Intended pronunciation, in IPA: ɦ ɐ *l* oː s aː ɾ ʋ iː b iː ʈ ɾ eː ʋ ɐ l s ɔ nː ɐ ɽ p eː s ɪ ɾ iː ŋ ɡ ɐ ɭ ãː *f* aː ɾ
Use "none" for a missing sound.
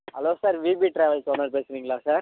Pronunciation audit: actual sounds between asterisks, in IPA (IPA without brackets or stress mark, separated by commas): l, s